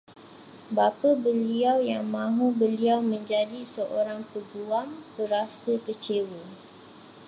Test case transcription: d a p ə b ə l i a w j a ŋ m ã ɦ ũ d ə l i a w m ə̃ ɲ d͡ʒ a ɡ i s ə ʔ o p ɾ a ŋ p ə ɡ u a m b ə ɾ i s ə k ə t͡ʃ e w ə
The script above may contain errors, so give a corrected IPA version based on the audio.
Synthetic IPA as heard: b a p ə b ə l i a w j a ŋ m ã ɦ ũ b ə l i a w m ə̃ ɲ d͡ʒ a d i s ə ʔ o ɾ a ŋ p ə ɡ u a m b ə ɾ a s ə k ə t͡ʃ e w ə